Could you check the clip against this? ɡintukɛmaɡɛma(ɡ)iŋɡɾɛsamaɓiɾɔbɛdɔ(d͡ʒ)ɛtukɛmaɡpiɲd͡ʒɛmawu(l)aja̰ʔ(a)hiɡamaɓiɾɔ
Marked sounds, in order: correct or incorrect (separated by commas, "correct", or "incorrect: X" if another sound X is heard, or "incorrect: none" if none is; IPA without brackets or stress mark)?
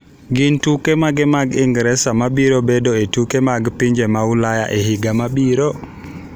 correct, incorrect: none, correct, incorrect: ɛ